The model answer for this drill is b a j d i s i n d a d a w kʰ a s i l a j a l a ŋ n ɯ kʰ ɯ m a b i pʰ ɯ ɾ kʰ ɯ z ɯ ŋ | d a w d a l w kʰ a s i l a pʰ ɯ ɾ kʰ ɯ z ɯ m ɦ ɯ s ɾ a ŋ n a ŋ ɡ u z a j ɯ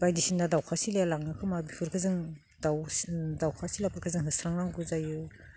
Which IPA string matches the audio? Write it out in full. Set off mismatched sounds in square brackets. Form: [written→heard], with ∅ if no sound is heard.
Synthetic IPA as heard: b a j d i s i n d a d a w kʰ a s i l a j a l a ŋ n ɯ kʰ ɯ m a b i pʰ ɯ ɾ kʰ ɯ z ɯ ŋ | d a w d a [l→∅] w kʰ a s i l a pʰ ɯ ɾ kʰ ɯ z ɯ [m→ŋ] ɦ ɯ s ɾ a ŋ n a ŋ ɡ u z a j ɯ